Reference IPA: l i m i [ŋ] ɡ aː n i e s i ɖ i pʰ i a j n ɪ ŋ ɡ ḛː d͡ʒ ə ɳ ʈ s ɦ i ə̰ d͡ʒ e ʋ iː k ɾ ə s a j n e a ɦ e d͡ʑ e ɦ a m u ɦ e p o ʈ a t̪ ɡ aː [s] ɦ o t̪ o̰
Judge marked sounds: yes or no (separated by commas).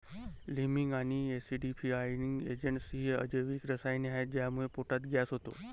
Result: yes, yes